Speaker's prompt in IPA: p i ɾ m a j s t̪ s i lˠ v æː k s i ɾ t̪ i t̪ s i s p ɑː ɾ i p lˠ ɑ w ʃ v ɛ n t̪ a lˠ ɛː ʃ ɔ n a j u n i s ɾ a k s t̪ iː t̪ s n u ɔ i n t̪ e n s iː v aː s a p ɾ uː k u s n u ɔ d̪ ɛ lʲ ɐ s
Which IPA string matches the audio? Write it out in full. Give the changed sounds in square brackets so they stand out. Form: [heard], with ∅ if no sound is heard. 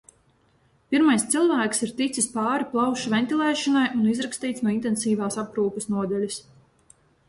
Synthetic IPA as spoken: p i ɾ m a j s t̪ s i lˠ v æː k s i ɾ t̪ i t̪ s i s p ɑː ɾ i p lˠ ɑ w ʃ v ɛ n t̪ [i] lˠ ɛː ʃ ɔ n a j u n i [z] ɾ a k s t̪ iː t̪ s n u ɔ i n t̪ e n s iː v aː s a p ɾ uː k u s n u ɔ d̪ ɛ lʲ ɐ s